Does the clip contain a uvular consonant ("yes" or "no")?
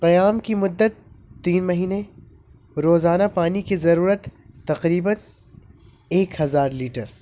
yes